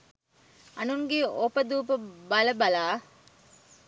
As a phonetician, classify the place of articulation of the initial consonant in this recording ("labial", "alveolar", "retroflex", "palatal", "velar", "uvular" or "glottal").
alveolar